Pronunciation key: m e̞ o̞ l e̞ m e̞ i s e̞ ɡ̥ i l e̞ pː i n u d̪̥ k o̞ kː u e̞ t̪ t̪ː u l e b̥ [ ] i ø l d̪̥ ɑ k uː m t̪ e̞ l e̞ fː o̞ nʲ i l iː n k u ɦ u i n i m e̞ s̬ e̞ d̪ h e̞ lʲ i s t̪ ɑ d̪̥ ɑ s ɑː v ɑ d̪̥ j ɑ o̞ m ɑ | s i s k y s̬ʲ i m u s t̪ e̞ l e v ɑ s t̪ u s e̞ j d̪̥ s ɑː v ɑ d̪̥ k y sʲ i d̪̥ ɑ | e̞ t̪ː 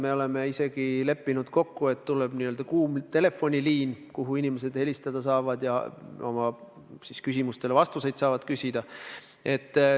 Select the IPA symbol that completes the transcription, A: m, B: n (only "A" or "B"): B